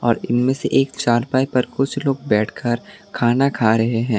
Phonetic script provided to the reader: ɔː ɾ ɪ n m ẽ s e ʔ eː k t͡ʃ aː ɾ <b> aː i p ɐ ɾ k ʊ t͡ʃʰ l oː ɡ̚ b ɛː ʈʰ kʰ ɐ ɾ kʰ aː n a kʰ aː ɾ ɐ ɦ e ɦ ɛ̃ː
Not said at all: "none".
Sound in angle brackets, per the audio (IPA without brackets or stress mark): p